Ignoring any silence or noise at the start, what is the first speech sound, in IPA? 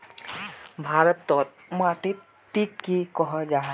bʱ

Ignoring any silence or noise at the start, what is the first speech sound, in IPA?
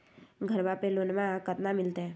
ɡʱ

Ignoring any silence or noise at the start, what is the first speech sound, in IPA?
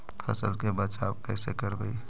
pʰ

